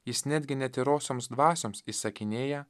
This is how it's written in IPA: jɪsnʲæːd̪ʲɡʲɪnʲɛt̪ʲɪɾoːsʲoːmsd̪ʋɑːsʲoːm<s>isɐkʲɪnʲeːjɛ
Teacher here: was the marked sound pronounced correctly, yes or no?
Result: yes